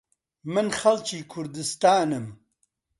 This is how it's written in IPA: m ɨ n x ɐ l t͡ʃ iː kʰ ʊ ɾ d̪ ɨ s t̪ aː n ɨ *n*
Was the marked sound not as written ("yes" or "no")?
yes